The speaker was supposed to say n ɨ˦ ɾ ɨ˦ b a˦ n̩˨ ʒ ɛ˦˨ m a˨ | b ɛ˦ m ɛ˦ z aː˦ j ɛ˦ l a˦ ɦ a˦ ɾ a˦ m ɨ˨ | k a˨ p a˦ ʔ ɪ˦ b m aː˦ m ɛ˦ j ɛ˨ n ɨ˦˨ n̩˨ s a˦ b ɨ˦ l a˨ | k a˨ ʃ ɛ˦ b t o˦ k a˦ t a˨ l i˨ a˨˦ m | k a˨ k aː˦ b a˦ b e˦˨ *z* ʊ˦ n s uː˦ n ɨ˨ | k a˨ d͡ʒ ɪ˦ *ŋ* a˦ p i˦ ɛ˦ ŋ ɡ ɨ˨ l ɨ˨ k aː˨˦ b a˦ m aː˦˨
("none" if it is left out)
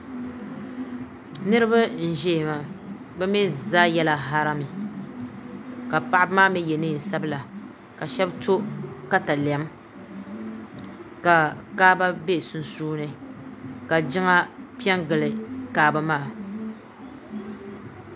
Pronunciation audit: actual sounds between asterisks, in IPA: s, ŋ

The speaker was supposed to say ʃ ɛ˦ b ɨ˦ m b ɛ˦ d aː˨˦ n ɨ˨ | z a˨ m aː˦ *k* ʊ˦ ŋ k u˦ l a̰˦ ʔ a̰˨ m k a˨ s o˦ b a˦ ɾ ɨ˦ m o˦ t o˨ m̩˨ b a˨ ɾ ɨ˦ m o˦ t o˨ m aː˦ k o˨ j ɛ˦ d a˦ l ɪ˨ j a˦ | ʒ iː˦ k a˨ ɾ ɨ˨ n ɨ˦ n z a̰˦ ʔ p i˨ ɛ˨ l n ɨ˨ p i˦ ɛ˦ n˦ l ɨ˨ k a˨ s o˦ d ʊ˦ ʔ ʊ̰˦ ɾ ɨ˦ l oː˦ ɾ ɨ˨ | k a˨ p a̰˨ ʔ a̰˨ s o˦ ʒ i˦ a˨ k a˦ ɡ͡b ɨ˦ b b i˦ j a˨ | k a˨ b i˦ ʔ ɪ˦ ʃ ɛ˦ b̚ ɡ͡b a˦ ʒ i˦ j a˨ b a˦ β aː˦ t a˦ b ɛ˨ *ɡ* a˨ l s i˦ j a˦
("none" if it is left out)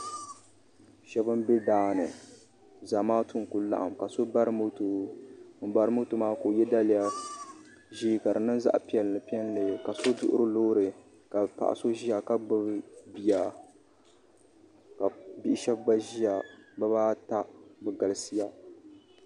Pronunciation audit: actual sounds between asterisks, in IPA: t, ɡ

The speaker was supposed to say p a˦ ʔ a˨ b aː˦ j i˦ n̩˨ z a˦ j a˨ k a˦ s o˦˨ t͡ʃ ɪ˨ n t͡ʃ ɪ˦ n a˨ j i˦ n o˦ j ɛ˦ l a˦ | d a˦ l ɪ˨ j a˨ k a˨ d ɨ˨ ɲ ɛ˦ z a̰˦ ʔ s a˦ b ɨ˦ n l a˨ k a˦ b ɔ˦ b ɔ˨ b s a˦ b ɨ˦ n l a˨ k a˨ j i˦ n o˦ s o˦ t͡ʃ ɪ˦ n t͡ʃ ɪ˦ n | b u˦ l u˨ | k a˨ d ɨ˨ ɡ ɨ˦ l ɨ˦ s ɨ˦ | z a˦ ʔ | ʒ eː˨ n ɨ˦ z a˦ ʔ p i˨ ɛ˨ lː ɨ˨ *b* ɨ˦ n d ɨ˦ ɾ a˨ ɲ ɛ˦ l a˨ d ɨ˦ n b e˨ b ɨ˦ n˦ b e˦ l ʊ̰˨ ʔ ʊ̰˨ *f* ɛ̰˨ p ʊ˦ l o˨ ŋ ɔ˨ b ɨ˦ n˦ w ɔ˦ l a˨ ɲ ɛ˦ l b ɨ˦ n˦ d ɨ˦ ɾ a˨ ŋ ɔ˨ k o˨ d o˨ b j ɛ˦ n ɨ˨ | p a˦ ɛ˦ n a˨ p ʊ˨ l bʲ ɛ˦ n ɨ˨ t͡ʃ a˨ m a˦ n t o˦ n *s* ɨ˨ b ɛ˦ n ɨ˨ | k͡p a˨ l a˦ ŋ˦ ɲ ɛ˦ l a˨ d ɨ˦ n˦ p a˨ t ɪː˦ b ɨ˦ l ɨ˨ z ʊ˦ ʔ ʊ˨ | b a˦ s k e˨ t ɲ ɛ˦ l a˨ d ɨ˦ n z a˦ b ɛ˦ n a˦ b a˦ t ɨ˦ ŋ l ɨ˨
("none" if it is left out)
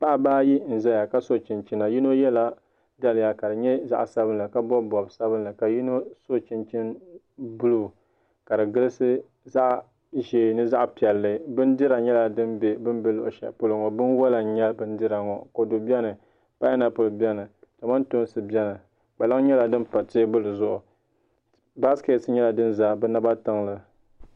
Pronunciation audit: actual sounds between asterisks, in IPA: b, ʃ, s

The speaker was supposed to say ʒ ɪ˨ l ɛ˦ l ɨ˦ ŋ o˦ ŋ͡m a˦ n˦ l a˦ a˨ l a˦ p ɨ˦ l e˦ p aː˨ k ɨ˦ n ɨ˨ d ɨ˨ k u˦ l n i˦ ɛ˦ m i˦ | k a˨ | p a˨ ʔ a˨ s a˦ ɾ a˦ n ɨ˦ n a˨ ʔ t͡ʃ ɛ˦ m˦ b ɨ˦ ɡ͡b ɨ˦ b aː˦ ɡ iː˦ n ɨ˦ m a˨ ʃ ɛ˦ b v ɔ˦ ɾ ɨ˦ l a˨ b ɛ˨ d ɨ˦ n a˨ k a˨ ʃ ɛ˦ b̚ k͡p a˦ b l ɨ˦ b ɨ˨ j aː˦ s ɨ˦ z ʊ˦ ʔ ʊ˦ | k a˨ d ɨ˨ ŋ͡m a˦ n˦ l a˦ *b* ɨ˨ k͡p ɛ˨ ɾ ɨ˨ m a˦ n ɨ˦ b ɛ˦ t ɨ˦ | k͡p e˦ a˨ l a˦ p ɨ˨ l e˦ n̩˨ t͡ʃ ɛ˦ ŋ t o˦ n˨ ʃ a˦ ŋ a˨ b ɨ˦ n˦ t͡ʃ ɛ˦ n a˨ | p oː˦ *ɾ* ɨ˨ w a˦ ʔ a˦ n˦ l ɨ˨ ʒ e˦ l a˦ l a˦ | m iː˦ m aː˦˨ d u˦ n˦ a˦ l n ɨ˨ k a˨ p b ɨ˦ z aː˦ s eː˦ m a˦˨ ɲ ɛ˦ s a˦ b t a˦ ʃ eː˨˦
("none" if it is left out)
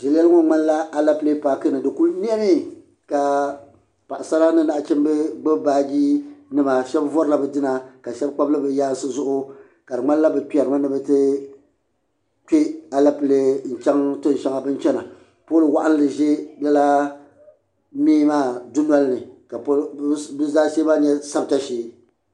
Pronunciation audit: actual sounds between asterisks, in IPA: b, l

